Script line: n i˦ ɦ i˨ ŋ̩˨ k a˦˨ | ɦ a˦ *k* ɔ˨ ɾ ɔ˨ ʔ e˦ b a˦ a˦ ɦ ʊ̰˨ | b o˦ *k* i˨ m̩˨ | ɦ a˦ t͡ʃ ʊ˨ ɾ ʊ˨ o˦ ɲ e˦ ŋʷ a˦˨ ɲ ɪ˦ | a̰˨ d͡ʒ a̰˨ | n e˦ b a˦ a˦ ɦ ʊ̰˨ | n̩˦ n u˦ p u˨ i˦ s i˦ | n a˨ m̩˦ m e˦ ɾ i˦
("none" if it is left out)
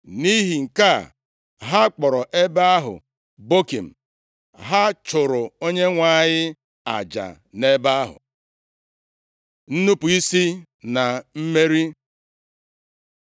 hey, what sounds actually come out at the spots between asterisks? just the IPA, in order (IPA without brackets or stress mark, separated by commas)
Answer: k͡p, k